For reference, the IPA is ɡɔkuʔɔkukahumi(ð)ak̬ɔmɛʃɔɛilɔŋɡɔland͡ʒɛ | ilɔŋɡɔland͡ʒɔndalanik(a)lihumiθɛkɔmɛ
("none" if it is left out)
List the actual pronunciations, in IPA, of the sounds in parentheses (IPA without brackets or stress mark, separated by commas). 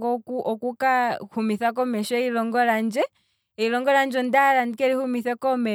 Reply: θ, ɛ